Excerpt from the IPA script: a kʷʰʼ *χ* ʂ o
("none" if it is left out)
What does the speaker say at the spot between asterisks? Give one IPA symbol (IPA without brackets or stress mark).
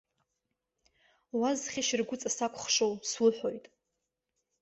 χ